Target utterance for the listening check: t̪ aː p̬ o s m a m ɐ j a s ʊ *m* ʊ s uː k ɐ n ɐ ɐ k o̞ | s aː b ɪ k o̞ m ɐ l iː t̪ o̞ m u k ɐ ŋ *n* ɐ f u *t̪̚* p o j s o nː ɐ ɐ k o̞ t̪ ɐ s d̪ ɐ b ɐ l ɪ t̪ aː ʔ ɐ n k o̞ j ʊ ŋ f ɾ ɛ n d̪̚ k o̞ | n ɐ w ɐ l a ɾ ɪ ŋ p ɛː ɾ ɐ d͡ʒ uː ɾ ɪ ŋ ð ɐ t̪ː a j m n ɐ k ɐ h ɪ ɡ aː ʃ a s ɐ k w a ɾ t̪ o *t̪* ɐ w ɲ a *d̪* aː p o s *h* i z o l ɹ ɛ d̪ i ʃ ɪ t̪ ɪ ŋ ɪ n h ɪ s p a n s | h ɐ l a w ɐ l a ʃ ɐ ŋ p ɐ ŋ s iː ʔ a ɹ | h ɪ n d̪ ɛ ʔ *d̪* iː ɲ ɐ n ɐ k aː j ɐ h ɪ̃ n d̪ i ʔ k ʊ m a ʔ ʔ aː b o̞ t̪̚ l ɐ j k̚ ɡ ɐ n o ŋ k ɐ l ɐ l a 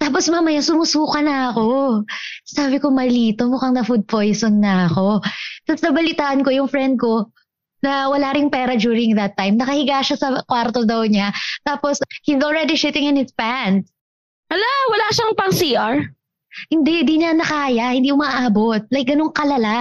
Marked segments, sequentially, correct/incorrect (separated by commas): correct, correct, incorrect, incorrect, incorrect, correct, correct